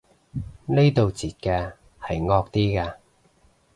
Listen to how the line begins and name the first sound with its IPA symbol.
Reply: n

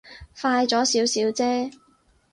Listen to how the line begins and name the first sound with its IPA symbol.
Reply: f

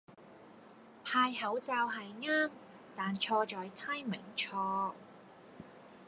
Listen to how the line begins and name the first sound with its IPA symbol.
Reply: pʰ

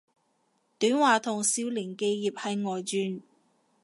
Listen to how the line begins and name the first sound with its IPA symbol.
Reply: t̪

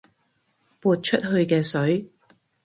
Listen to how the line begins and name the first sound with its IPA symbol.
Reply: p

